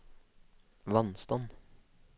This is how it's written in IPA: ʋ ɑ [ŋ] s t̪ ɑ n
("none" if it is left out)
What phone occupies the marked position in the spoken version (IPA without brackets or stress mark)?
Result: n